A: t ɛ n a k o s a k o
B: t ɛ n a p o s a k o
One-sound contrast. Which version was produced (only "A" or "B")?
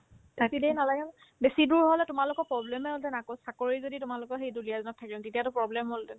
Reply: A